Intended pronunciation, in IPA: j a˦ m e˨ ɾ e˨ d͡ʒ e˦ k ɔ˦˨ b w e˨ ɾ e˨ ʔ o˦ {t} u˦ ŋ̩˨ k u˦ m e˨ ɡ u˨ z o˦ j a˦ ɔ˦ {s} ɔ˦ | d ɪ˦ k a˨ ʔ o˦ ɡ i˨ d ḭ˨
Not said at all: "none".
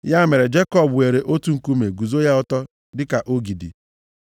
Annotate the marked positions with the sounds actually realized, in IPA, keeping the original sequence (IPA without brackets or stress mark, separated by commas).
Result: t, t